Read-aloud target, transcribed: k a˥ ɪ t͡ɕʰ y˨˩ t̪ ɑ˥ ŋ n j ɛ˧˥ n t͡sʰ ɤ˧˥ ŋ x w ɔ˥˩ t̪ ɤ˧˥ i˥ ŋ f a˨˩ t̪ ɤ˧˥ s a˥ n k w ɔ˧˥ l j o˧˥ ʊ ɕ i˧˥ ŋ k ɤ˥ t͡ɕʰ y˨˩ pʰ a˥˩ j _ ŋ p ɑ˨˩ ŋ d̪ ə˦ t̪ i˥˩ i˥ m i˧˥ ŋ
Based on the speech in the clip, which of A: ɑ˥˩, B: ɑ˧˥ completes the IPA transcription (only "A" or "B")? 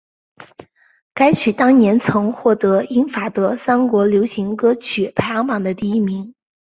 B